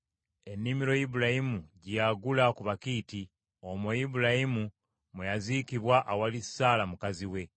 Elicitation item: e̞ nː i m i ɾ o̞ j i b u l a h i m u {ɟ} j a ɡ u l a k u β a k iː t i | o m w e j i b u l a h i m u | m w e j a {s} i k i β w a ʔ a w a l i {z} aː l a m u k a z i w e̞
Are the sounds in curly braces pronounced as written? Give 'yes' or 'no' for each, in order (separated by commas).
yes, no, no